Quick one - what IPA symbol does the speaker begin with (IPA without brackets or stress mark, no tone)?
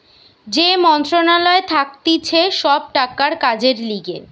d͡ʑ